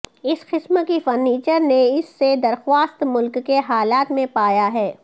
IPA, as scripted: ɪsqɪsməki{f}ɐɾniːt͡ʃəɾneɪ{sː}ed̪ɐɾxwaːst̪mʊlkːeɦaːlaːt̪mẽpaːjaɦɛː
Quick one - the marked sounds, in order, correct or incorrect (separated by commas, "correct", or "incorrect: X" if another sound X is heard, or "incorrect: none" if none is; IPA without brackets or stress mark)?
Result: correct, correct